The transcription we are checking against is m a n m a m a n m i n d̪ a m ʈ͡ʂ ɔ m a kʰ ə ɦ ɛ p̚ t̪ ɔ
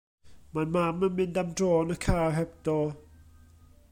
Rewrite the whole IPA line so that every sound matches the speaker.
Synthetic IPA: m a n m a m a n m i n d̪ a m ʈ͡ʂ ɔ n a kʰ a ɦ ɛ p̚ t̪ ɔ